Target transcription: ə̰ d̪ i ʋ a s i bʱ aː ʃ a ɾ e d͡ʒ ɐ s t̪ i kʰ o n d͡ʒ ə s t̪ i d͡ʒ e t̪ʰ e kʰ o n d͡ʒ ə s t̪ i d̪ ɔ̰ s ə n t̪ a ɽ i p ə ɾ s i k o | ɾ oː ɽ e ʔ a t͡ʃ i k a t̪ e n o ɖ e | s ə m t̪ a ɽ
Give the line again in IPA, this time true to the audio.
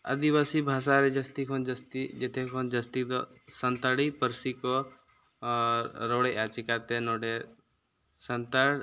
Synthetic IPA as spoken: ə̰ d̪ i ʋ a s i bʱ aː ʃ a ɾ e d͡ʒ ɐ s t̪ i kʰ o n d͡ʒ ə s t̪ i d͡ʒ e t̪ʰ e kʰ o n d͡ʒ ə s t̪ i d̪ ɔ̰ s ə n t̪ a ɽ i p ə ɾ s i k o | ɾ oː ɽ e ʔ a t͡ʃ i k a t̪ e n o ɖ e | s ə n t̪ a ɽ